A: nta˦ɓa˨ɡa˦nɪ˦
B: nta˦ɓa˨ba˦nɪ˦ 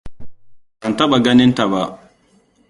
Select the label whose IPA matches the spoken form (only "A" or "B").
A